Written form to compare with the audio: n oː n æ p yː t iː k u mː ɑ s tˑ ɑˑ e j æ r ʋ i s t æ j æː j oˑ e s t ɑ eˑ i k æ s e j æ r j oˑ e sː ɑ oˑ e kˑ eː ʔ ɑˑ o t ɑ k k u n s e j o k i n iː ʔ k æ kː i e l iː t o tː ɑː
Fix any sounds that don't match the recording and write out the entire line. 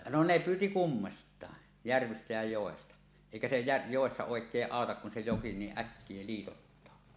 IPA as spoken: n o n e p yː t i k u mː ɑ s tˑ ɑˑ e j æ r ʋ i s t æ j æ j oˑ e s t ɑ eˑ i k æ s e j æ r j oˑ e sː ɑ oˑ e kˑ eː ʔ ɑˑ o t ɑ k k u n s e j o k i n iː ʔ ʔ æ kː i e l iː t o tː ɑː